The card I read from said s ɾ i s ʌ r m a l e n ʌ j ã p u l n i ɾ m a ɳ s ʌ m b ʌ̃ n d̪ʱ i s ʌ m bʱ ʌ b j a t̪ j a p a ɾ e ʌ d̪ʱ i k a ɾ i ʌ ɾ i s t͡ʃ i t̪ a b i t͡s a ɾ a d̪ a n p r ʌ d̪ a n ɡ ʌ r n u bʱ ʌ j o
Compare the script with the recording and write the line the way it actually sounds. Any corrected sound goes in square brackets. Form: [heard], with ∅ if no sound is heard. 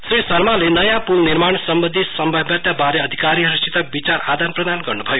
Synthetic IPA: s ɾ i s ʌ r m a l e n ʌ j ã p u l n i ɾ m a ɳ s ʌ m b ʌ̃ n d̪ʱ i s ʌ m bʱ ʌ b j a t̪ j a [b] a ɾ e ʌ d̪ʱ i k a ɾ i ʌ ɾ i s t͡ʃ i t̪ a b i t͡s a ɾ a d̪ a n p r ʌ d̪ a n ɡ ʌ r n u bʱ ʌ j o